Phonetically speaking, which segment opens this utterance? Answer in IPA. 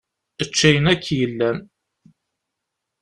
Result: ə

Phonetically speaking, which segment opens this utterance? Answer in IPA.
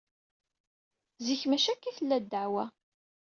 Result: z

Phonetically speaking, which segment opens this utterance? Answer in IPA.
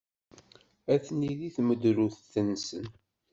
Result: æ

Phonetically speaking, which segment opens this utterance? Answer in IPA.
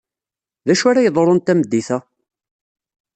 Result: ð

